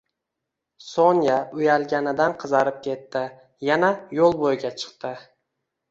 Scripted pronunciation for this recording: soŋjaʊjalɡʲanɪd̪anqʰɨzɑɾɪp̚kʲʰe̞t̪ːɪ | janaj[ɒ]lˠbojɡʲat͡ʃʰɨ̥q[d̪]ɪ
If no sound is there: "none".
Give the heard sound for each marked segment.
o, t̪

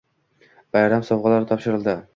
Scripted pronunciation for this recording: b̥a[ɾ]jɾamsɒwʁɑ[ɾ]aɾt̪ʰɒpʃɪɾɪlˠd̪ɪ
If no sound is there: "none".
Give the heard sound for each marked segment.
none, l

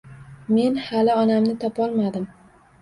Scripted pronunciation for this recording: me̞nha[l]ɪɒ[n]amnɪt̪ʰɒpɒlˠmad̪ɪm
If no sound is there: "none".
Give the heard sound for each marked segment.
l, n

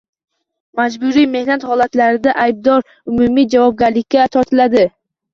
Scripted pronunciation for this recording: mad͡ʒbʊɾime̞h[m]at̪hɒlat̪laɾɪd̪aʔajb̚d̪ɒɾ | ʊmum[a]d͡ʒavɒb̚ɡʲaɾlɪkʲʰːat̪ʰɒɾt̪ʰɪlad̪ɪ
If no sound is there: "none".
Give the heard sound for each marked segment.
n, i

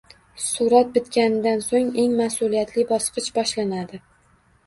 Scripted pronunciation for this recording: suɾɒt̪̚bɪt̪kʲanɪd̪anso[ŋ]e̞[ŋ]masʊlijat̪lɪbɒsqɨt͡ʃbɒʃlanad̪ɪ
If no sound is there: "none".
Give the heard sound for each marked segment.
ŋ, ŋ

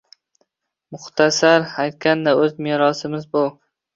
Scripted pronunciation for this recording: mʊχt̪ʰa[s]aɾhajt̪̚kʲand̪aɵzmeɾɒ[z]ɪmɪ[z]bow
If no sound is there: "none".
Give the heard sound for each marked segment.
s, s, z

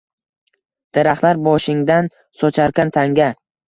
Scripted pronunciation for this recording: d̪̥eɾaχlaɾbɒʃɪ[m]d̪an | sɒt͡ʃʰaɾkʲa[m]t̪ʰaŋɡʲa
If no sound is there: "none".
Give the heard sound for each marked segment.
ŋ, n

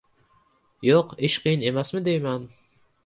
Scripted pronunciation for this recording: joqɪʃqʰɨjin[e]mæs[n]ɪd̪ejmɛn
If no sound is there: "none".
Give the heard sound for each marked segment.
e, m

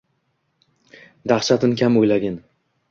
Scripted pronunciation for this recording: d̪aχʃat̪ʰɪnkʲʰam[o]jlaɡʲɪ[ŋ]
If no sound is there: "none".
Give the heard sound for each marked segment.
o, n

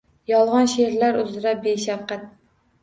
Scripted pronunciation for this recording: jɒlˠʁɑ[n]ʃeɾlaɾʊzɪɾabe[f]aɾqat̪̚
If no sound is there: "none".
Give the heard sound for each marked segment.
n, ʃ

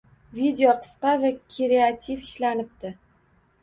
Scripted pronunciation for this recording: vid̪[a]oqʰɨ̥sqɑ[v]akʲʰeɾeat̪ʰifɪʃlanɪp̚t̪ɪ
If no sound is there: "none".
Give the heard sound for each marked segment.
e, v

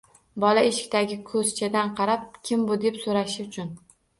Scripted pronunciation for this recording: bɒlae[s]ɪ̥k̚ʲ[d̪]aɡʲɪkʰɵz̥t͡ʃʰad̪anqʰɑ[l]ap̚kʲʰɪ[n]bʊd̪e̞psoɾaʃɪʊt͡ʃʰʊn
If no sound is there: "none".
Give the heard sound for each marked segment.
ʃ, t̪, ɾ, m

